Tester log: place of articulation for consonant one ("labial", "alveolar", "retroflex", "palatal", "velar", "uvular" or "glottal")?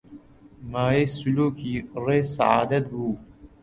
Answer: labial